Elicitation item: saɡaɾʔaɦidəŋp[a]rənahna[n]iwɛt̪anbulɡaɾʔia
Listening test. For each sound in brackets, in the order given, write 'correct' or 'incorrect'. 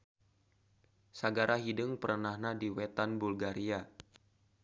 incorrect, incorrect

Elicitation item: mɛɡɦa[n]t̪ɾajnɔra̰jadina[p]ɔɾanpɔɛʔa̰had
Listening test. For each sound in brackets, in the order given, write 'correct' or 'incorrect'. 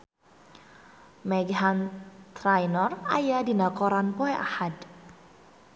correct, incorrect

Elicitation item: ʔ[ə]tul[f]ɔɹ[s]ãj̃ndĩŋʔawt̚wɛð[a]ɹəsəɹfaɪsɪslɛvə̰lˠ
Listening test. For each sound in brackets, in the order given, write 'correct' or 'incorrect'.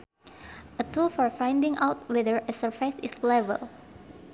correct, correct, incorrect, incorrect

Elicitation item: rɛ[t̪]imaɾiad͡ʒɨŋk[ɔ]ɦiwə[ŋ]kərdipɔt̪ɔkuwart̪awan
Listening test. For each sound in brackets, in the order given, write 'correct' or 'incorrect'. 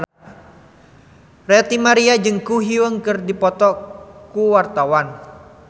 correct, incorrect, correct

